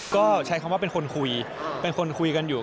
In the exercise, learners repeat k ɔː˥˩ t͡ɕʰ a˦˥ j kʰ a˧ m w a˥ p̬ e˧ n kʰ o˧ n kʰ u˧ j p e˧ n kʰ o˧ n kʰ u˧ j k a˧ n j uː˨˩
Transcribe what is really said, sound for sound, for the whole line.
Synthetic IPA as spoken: k ɔː˥˩ t͡ɕʰ a˦˥ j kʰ a˧ m w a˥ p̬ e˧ n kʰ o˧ n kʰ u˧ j p e˧ n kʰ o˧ n kʰ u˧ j k a˧ n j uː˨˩